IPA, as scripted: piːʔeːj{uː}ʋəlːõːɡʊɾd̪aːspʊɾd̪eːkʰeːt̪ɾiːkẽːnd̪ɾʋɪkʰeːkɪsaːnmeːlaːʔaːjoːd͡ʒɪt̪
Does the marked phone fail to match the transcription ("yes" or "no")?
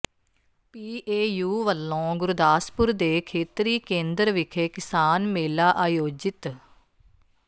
no